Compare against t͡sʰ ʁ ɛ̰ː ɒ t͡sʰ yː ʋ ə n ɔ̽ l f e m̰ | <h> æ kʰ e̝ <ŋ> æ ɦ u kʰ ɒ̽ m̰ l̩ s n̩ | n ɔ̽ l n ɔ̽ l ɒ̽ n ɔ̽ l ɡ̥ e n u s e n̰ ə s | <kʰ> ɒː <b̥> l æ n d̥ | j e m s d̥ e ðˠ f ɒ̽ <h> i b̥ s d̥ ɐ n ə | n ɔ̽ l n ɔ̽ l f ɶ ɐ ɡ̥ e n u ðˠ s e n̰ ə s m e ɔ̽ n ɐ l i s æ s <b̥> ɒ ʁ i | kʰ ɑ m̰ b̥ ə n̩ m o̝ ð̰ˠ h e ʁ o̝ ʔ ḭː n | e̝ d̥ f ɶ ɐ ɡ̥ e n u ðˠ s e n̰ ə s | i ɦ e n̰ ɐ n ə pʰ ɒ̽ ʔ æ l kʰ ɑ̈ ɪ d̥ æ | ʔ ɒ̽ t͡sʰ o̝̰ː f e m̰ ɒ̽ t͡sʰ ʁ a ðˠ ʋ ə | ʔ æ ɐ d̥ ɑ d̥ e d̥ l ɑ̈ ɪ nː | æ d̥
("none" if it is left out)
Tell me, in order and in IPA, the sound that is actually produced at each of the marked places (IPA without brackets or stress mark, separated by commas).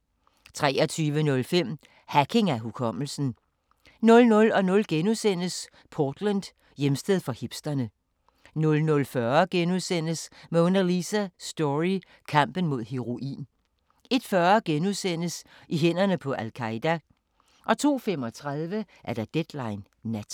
h, ŋ, pʰ, d̥, h, d̥